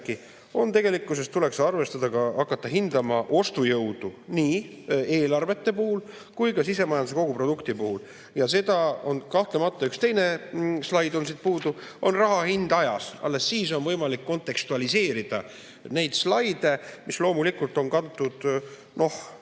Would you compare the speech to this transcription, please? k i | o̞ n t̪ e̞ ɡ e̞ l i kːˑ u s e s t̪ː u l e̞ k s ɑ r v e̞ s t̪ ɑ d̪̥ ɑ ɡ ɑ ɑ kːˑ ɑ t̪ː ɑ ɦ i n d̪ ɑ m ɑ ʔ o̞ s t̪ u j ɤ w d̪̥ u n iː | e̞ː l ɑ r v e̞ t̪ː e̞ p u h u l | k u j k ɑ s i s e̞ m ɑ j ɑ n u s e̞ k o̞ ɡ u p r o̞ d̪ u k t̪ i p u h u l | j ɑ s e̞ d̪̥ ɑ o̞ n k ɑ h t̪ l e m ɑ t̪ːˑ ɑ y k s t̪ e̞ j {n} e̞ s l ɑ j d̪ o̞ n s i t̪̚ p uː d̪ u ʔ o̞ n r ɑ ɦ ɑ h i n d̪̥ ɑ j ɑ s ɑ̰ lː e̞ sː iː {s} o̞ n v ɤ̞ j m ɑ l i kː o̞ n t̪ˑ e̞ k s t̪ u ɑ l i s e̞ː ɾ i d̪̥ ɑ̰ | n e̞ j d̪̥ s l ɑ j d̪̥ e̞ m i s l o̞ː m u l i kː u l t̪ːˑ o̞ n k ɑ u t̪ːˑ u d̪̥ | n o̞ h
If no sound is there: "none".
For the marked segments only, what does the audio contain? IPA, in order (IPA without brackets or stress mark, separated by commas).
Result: n, s